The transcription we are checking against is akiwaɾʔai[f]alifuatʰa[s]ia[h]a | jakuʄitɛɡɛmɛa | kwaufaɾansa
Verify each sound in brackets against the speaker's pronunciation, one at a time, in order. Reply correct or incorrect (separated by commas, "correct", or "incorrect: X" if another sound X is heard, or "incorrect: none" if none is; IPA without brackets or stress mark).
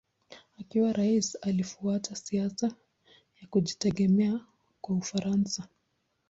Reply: incorrect: s, correct, incorrect: s